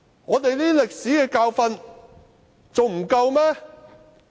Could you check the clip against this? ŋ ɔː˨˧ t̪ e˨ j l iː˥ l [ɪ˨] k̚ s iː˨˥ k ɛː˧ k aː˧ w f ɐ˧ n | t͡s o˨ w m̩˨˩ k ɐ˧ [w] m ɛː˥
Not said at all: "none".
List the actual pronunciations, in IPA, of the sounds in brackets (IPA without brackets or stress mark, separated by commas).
ɪ˨, w